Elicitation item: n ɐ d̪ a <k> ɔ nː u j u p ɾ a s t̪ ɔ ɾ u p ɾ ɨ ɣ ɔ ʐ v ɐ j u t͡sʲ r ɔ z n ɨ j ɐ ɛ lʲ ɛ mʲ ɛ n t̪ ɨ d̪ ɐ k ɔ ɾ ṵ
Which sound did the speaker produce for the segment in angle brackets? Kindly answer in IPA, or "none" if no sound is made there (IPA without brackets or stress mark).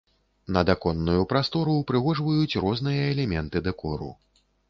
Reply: k